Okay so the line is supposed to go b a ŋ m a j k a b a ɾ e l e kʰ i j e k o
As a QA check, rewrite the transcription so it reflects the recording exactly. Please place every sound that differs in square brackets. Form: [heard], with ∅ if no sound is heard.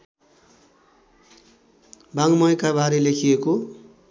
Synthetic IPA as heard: b a ŋ m [ʌ] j k a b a ɾ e l e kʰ i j e k o